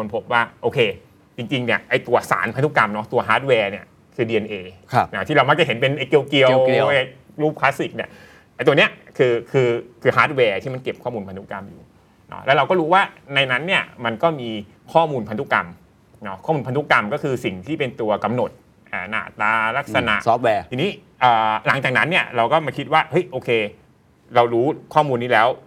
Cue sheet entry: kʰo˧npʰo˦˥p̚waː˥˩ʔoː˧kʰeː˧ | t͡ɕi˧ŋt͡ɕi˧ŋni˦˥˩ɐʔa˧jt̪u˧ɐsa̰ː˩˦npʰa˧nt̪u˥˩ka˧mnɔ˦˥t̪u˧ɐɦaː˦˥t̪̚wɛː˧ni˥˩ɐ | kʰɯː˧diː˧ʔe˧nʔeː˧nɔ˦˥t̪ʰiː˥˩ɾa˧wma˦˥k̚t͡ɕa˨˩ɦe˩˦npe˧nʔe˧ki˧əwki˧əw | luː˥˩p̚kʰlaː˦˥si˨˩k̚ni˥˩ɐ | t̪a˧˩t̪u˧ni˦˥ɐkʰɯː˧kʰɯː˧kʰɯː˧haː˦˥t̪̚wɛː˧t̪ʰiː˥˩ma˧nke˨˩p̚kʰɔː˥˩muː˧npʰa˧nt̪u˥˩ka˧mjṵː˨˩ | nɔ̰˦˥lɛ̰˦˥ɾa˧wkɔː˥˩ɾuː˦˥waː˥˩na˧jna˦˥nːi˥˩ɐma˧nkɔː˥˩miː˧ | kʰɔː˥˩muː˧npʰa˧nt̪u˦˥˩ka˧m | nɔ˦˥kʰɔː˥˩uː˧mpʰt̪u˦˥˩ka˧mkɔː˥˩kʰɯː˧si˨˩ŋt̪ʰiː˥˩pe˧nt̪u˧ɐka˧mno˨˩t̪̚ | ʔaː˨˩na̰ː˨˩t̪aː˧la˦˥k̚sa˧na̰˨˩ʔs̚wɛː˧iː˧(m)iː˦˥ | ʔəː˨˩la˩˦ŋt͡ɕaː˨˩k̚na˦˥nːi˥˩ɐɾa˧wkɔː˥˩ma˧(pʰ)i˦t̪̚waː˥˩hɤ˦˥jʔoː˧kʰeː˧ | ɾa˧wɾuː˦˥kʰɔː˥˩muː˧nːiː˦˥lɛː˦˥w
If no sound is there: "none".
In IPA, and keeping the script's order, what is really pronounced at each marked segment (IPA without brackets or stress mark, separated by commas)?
n, kʰ